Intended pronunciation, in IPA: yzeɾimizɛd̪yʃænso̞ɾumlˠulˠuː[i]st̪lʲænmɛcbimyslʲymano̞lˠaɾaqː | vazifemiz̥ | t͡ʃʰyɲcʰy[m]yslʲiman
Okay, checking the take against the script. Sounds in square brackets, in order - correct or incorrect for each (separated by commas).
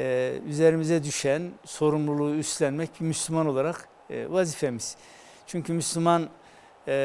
incorrect, correct